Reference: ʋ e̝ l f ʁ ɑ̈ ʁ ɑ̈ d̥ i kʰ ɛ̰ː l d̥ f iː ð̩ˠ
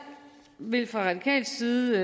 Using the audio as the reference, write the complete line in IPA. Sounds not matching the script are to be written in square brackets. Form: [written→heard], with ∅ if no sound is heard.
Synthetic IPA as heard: ʋ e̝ l f ʁ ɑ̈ ʁ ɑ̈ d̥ i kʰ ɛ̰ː l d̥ [f→s] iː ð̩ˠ